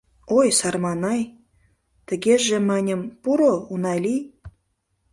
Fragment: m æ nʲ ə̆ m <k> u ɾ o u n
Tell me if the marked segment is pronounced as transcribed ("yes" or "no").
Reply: no